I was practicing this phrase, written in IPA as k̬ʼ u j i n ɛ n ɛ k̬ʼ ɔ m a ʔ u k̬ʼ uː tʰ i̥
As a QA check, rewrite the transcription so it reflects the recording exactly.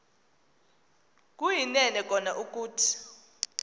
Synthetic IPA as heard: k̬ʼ u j i n ɛ n ɛ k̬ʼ ɔ n a ʔ u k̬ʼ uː tʰ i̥